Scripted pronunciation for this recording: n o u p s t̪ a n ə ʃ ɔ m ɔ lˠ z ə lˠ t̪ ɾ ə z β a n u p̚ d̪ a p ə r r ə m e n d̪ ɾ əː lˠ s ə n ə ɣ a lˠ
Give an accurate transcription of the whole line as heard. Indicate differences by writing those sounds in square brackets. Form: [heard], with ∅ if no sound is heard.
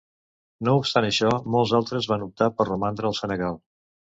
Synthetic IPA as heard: n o u p s t̪ a n ə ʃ ɔ m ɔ lˠ z [a] lˠ t̪ ɾ ə z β a n u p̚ [t̪] a p ə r r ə m [a] n d̪ ɾ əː lˠ s ə n ə ɣ a lˠ